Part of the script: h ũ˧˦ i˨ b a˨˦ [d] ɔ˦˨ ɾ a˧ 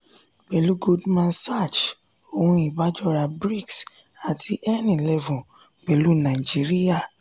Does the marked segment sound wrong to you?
yes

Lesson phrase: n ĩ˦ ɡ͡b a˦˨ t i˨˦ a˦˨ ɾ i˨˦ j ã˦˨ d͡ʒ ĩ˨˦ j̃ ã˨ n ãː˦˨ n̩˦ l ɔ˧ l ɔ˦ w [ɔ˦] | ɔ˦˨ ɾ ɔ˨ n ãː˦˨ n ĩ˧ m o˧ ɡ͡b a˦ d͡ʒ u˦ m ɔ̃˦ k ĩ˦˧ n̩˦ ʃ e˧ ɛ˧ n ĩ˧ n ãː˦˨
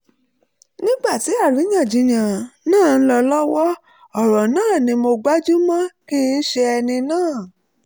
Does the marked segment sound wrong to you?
no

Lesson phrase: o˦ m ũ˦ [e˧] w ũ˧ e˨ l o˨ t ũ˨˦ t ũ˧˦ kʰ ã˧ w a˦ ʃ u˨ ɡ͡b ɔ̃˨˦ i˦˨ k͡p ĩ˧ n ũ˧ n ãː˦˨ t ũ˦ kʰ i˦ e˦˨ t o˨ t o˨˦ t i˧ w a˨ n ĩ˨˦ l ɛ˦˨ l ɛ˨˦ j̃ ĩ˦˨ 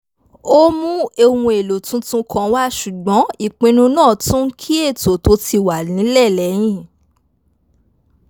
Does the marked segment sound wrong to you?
no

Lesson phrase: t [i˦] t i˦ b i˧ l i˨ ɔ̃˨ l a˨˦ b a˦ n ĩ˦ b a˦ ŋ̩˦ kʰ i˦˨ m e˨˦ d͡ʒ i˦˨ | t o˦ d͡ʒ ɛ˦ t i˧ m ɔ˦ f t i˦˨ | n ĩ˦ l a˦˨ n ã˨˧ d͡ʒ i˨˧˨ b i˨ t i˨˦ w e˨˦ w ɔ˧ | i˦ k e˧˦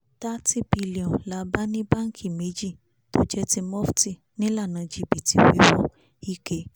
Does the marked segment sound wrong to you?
yes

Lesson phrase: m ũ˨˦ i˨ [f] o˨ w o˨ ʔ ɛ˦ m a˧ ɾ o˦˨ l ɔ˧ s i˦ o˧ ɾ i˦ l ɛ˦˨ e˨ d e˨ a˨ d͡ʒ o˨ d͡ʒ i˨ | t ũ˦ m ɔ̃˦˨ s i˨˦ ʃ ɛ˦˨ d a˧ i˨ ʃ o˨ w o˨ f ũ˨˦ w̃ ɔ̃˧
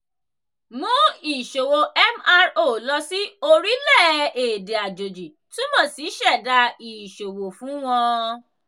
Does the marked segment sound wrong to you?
yes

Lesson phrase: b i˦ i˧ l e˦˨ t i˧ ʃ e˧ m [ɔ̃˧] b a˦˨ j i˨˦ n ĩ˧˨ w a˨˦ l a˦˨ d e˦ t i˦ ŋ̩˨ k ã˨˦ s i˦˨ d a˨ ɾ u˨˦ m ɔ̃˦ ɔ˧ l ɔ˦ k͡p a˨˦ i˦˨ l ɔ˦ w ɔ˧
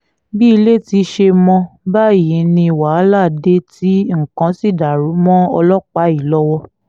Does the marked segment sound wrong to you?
no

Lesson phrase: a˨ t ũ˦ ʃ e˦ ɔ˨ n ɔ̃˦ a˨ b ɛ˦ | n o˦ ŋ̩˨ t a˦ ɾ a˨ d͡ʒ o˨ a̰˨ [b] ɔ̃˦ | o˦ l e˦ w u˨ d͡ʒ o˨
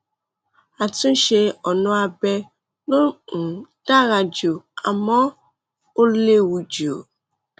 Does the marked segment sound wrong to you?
yes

